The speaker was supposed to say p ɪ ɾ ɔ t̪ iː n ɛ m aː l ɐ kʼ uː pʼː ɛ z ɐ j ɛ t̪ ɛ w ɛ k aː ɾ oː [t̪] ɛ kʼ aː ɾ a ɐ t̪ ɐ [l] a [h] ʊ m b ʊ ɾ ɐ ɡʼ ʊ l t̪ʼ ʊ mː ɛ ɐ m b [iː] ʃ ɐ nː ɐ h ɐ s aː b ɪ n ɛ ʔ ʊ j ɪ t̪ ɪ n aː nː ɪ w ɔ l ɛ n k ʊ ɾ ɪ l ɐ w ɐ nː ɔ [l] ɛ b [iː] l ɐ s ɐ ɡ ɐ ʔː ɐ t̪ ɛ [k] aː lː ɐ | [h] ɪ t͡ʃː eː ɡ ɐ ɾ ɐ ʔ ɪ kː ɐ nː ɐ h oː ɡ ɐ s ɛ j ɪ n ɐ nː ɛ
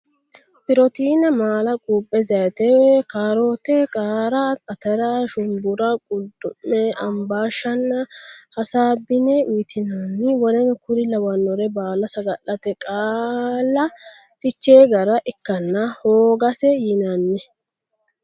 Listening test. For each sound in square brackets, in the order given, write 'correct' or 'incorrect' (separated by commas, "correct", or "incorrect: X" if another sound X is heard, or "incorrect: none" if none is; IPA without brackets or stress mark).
correct, incorrect: ɾ, incorrect: ʃ, incorrect: aː, incorrect: ɾ, incorrect: aː, incorrect: kʼ, incorrect: f